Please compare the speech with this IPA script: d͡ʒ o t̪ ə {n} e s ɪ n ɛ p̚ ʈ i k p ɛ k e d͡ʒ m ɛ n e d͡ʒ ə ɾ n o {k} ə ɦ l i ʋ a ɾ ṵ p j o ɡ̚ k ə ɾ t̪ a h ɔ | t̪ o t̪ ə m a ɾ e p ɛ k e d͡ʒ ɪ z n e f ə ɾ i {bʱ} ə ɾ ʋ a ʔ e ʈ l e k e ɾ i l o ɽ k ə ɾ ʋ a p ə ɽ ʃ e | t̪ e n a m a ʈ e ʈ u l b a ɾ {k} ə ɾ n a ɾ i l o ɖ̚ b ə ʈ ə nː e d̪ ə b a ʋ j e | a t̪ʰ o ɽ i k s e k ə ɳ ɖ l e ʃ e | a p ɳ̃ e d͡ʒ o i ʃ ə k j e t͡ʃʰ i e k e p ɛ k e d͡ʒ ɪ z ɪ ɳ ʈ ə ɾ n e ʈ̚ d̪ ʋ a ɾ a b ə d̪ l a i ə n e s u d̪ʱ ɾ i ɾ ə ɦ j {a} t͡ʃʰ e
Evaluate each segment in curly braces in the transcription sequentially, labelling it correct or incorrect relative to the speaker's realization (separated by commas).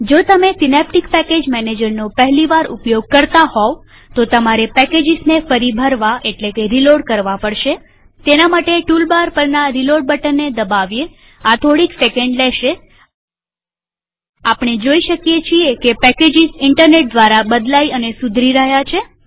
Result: incorrect, incorrect, correct, incorrect, correct